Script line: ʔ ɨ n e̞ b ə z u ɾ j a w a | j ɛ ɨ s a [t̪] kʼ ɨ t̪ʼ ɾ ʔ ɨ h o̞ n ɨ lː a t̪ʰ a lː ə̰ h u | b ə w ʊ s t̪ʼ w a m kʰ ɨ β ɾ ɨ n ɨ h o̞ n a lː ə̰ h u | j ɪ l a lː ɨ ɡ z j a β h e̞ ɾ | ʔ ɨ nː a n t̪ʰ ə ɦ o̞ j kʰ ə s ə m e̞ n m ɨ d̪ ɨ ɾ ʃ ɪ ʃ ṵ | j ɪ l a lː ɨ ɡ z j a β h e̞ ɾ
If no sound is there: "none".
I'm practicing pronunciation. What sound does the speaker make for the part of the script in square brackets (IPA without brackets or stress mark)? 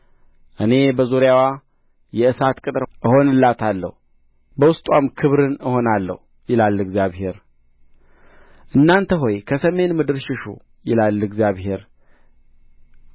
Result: t̪